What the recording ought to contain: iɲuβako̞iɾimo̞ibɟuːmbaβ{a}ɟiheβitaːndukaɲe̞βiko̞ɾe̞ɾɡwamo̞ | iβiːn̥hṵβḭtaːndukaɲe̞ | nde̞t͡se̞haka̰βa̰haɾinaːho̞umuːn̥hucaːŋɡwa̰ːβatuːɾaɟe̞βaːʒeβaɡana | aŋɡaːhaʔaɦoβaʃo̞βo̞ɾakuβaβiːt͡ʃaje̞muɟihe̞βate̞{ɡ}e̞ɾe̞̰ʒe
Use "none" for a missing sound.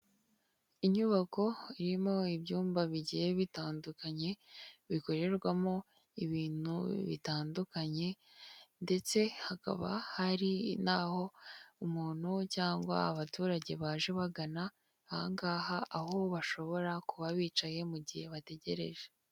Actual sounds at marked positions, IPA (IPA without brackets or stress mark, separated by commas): i, ɟ